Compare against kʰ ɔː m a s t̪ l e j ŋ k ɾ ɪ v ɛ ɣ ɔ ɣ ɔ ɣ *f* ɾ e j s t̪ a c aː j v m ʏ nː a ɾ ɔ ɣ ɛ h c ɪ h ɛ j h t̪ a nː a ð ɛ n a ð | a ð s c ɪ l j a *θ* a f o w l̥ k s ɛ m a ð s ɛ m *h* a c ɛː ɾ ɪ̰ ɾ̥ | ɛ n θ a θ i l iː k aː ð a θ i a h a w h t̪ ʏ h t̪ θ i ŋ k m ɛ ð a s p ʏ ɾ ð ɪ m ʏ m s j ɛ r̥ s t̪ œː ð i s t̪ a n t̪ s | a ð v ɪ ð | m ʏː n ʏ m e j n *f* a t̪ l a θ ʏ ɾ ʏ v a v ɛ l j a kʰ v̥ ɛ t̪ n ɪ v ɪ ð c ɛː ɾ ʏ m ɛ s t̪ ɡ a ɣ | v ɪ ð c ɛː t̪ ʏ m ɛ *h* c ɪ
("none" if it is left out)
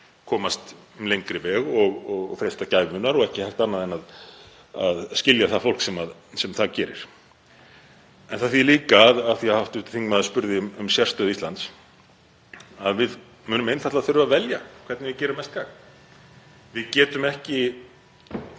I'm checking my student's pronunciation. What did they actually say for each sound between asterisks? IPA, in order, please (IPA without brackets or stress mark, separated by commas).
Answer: f, θ, θ, θ, h